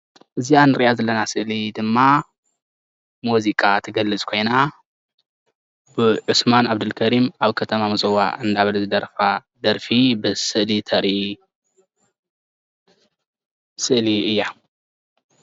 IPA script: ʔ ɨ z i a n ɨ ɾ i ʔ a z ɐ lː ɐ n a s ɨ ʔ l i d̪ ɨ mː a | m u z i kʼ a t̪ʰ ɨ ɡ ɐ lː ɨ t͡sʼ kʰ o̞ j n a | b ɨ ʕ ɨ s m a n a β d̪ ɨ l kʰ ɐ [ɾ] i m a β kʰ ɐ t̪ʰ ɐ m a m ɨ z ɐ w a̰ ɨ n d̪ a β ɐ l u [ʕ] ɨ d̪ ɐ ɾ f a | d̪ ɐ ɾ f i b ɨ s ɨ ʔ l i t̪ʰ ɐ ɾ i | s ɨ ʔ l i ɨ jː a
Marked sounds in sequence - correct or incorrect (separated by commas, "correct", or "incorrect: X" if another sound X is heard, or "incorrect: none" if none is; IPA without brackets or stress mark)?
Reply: correct, incorrect: z